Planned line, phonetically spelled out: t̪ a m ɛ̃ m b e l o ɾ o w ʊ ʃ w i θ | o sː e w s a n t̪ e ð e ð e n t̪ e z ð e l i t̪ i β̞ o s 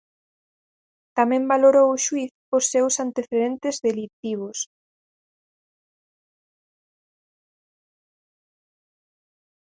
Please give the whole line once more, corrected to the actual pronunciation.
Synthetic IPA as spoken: t̪ a m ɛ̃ m b a l o ɾ o w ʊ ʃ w i θ | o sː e w s a n t̪ e θ e ð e n t̪ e z ð e l i t̪ i β̞ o s